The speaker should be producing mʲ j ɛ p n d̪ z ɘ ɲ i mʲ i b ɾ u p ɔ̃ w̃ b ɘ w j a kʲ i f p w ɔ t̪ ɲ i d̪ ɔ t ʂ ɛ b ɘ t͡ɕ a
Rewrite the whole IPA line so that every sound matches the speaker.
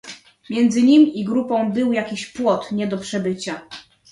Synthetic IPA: mʲ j ɛ n d̪ z ɘ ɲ i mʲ i ɡ ɾ u p ɔ̃ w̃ b ɘ w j a kʲ i ɕ p w ɔ t̪ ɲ ɛ d̪ ɔ p ʂ ɛ b ɘ t͡ɕ a

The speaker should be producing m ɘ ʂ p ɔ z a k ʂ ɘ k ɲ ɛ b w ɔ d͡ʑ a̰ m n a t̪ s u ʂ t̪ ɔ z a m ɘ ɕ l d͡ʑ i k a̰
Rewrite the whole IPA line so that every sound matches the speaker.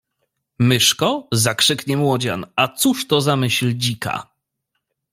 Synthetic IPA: m ɘ ʂ k ɔ z a k ʂ ɘ k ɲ ɛ m w ɔ d͡ʑ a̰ n a t̪ s u ʂ t̪ ɔ z a m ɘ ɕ l d͡ʑ i k a̰

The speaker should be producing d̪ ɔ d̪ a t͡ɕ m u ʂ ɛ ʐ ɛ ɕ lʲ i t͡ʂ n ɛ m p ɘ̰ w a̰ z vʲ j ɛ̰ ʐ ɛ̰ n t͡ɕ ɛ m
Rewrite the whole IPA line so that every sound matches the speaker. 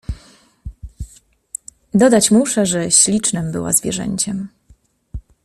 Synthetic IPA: d̪ ɔ d̪ a t͡ɕ m u ʂ ɛ ʐ ɛ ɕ lʲ i t͡ʂ n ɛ m b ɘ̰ w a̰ z vʲ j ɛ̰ ʐ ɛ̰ ɲ t͡ɕ ɛ m

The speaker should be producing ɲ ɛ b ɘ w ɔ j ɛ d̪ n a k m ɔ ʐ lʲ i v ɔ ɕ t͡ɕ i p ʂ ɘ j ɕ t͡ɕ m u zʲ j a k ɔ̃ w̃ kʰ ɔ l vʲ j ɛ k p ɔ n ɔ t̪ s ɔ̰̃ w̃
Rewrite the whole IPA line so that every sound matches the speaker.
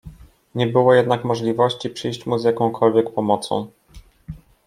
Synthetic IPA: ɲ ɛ b ɘ w ɔ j ɛ d̪ n a k m ɔ ʐ lʲ i v ɔ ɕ t͡ɕ i p ʂ ɘ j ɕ t͡ɕ m u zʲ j a k ɔ̃ w̃ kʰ ɔ l vʲ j ɛ k p ɔ m ɔ t̪ s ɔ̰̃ w̃

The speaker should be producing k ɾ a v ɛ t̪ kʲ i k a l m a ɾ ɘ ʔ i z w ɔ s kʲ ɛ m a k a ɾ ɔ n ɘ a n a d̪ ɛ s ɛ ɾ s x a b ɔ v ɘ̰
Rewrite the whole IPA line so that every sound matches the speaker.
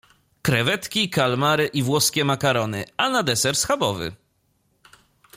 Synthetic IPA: k ɾ ɛ v ɛ t̪ kʲ i k a l m a ɾ ɘ ʔ i v w ɔ s kʲ ɛ m a k a ɾ ɔ n ɘ a n a d̪ ɛ s ɛ ɾ s x a b ɔ v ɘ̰

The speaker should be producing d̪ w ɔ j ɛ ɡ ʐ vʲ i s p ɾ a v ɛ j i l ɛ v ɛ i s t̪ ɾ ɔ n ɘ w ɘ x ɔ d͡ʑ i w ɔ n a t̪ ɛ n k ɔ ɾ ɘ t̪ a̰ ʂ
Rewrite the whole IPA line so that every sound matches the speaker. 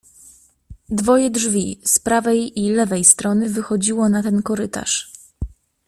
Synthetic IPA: d̪ v ɔ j ɛ d ʐ vʲ i s p ɾ a v ɛ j i l ɛ v ɛ j s t̪ ɾ ɔ n ɘ v ɘ x ɔ d͡ʑ i w ɔ n a t̪ ɛ n k ɔ ɾ ɘ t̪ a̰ ʂ

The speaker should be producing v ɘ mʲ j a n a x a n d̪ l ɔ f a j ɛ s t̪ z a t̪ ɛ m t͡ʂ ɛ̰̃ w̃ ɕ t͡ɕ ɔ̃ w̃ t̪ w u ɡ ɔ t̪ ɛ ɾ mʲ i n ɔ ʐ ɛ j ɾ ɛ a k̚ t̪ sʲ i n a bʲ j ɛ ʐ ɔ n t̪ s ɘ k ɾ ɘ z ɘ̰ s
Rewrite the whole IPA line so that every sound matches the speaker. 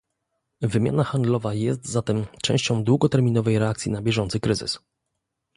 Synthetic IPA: v ɘ mʲ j a n a x a n d̪ l ɔ v a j ɛ s t̪ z a t̪ ɛ m t͡ʂ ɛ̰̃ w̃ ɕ t͡ɕ ɔ̃ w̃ d̪ w u ɡ ɔ t̪ ɛ ɾ mʲ i n ɔ v ɛ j ɾ ɛ a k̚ t̪ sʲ i n a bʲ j ɛ ʐ ɔ n t̪ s ɘ k ɾ ɘ z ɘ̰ s

